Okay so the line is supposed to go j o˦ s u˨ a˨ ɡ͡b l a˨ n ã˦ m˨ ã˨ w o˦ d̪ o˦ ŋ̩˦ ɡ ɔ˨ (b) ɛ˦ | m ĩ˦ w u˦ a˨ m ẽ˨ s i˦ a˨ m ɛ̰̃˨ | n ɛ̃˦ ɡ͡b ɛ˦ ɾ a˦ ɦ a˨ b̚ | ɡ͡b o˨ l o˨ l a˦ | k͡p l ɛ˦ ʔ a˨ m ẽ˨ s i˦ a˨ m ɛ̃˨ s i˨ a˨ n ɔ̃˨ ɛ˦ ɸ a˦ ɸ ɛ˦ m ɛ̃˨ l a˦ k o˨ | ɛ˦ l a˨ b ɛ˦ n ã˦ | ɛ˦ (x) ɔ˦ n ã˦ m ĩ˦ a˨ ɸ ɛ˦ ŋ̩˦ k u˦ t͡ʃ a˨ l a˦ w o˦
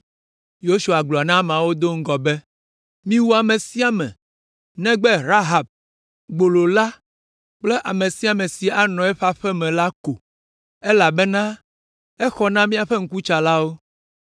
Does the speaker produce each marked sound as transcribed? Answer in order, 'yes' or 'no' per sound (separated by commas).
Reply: yes, yes